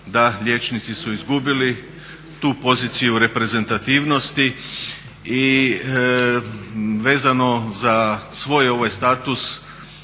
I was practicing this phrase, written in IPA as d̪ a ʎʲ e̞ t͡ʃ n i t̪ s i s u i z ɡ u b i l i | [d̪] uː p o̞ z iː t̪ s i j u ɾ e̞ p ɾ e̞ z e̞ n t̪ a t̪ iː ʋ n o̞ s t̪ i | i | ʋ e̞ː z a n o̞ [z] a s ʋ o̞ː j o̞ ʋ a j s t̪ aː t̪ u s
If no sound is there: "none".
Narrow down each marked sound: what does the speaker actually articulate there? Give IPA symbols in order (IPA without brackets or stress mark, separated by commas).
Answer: t̪, z